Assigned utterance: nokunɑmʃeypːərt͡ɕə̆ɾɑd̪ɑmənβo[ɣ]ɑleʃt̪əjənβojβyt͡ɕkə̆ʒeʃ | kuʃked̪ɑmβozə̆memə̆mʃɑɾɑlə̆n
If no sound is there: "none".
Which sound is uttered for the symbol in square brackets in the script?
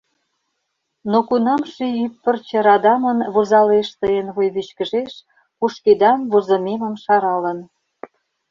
z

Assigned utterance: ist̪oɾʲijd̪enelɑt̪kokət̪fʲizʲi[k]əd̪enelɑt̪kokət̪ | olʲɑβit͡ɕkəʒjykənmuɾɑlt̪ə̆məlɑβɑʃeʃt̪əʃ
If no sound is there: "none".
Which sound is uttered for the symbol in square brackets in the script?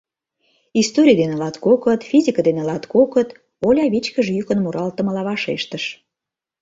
k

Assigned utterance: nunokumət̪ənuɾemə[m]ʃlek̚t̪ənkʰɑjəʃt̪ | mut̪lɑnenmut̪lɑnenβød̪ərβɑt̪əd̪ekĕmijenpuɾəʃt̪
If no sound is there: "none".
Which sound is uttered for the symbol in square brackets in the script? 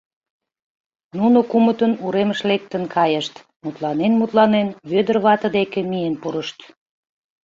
none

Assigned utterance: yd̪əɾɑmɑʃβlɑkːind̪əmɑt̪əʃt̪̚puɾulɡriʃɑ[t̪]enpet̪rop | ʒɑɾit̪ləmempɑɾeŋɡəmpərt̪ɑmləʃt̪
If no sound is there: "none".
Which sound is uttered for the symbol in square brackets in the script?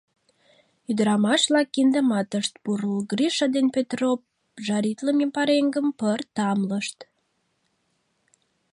d̪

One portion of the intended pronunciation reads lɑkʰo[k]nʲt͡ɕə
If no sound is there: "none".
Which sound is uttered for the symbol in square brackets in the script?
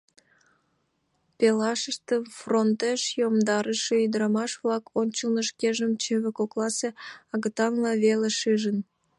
none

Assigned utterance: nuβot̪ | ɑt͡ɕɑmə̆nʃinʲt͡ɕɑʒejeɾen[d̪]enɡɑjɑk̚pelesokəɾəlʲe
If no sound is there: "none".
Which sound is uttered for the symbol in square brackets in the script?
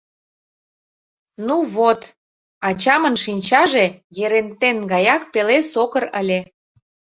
t̪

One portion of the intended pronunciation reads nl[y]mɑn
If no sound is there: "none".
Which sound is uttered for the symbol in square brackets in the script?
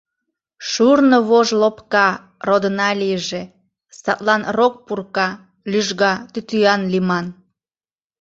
i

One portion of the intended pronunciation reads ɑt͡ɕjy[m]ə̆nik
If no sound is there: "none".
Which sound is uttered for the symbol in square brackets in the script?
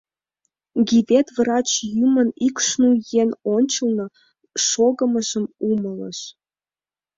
m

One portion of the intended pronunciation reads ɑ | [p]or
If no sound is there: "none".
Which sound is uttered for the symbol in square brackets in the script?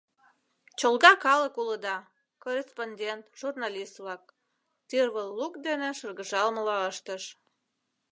k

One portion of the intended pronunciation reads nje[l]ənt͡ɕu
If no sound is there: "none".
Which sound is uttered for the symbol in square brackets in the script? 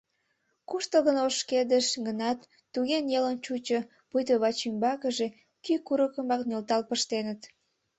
l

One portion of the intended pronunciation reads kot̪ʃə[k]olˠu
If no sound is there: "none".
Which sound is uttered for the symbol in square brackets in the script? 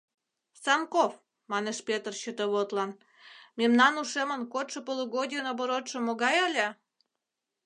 p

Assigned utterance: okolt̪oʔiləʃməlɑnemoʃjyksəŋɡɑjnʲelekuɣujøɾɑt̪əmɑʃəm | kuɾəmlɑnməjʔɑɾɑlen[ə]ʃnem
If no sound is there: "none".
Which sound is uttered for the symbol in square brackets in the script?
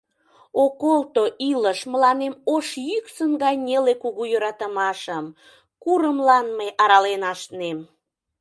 ɑ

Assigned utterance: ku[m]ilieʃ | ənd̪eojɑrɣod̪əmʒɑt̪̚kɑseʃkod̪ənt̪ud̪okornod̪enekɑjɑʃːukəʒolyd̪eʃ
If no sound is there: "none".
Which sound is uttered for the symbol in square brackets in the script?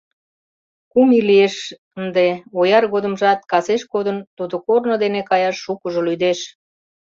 m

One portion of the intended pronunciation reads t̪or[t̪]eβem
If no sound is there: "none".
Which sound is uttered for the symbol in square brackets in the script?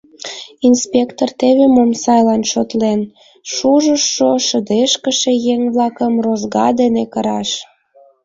t̪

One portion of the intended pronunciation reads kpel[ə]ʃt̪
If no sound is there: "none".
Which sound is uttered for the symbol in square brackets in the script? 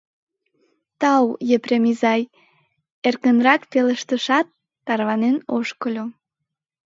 ə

